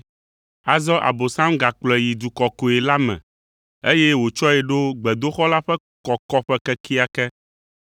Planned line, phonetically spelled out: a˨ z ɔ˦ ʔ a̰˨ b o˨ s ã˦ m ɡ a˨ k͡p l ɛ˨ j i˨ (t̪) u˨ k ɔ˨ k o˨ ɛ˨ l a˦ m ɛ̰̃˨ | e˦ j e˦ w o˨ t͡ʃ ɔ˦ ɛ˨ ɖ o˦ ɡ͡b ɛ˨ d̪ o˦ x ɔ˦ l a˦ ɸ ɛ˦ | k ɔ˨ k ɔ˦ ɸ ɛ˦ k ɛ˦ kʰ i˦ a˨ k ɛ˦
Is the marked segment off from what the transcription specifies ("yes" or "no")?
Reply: yes